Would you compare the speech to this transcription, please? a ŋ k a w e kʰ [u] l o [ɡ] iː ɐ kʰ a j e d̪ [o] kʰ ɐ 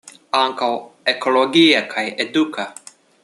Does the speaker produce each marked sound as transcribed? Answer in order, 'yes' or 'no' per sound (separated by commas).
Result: no, yes, no